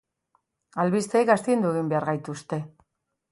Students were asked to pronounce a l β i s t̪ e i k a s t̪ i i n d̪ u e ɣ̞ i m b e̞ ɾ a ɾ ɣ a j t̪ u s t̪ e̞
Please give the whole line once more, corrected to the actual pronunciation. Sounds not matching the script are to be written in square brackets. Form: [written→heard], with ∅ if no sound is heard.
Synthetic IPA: a l β i s t̪ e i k a s t̪ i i n d̪ u e ɣ̞ i m b e̞ [ɾ→∅] a ɾ ɣ a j t̪ u s t̪ e̞